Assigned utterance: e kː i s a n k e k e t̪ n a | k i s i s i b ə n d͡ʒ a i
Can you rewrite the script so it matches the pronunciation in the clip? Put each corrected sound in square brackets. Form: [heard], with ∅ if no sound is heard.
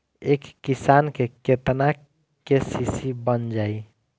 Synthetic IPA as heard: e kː i s a n k e k e t̪ n a | k [e] s i s i b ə n d͡ʒ a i